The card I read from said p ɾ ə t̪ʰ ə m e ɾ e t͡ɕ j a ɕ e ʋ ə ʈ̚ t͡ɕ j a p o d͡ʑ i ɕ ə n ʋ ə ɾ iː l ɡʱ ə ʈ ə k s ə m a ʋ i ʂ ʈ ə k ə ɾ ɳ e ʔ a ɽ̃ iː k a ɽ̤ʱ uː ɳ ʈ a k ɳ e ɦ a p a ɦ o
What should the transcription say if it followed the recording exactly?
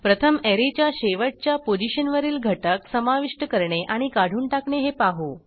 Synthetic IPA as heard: p ɾ ə t̪ʰ ə m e ɾ e t͡ɕ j a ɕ e ʋ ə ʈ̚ t͡ɕ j a p o d͡ʑ i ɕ ə n ʋ ə ɾ iː l ɡʱ ə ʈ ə k s ə m a ʋ i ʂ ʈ ə k ə ɾ ɳ e ʔ a ɽ̃ i k a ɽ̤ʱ uː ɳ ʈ a k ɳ e ɦ e p a ɦ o

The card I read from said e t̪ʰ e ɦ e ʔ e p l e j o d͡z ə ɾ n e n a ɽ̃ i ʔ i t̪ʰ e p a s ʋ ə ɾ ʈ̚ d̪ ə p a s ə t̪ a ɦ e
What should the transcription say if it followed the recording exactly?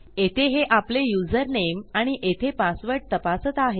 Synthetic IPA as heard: e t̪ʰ e ɦ e ʔ a p l e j u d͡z ə ɾ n e m a ɽ̃ i ʔ e t̪ʰ e p a s ʋ ə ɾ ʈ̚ t̪ ə p a s ə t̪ a ɦ e

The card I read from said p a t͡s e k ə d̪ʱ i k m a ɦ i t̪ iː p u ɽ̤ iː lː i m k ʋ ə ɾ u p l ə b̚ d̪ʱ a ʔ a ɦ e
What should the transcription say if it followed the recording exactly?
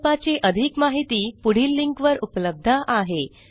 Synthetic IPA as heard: p a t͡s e ʔ ə d̪ʱ i k m a ɦ i t̪ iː p u ɽ̤ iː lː i ŋ k ʋ ə ɾ u p l ə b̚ d̪ʱ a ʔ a ɦ e

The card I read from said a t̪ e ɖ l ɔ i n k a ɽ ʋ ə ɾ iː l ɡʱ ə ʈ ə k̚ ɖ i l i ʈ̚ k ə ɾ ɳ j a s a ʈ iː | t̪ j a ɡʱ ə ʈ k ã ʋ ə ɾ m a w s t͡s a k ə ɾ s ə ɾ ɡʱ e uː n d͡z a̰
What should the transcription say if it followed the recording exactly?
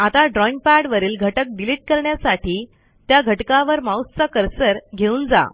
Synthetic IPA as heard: a t̪ a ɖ ɾ ɔ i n p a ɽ ʋ ə ɾ iː l ɡʱ ə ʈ ə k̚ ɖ i l i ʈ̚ k ə ɾ ɳ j a s a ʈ iː | t̪ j a ɡʱ ə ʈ k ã ʋ ə ɾ m a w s t͡s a k ə ɾ s ə ɾ ɡʱ e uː n d͡z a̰

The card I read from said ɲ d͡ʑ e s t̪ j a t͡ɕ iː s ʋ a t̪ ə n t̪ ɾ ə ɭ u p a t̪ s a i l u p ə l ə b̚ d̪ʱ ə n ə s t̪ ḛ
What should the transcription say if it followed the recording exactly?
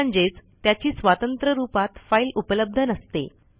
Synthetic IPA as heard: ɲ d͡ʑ e t͡s t̪ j a t͡ɕ iː s ʋ a t̪ ə n t̪ ɾ ə ɾ u p a t̪ f a i l u p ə l ə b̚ d̪ʱ ə n ə s t̪ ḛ

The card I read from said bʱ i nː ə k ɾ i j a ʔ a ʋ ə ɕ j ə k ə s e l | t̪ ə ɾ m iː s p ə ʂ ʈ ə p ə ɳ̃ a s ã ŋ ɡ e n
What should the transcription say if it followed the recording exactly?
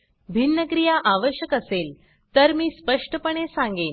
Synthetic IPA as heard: bʱ i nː ə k ɾ i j a ʔ a ʋ ə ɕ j ə k ə s e l | t̪ ə ɾ m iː s p ə ʂ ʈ ə p ə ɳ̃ e s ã ŋ ɡ e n

